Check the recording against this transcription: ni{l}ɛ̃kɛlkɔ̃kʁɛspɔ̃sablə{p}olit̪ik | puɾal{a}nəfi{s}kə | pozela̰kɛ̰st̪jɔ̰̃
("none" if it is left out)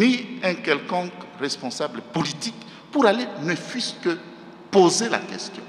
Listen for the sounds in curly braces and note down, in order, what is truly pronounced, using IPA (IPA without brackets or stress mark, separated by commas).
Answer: none, p, e, s